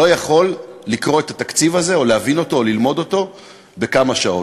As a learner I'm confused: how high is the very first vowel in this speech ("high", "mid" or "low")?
mid